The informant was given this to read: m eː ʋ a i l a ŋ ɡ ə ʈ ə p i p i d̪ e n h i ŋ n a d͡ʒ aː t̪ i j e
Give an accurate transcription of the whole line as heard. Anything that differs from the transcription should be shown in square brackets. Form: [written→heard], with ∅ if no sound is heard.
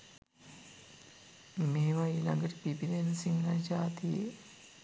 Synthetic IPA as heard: m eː ʋ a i l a ŋ ɡ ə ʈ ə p i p i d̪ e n [h→s] i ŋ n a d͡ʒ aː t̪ i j e